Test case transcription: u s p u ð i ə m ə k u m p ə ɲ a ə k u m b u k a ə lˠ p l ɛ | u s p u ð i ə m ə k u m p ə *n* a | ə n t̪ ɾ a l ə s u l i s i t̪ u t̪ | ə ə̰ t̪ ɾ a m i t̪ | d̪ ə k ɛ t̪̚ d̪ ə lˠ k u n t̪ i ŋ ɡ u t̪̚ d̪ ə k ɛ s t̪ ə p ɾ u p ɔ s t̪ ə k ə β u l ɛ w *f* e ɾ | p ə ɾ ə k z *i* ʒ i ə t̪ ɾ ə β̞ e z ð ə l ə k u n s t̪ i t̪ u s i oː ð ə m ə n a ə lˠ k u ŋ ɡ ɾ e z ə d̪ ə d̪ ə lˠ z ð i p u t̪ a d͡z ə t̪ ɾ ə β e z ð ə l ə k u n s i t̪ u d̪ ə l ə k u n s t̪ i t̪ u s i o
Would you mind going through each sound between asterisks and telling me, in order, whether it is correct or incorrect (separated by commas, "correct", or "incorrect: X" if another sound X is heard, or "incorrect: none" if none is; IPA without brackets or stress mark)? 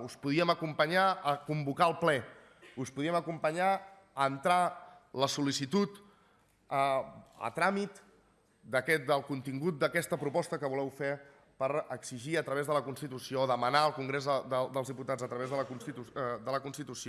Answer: incorrect: ɲ, correct, correct